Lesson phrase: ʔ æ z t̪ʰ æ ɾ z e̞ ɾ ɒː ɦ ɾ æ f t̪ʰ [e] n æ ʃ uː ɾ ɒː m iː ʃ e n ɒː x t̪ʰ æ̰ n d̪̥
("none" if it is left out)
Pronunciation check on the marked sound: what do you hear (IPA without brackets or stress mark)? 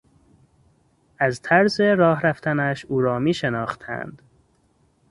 æ